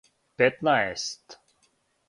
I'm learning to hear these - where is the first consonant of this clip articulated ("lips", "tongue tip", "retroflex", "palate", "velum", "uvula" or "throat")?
lips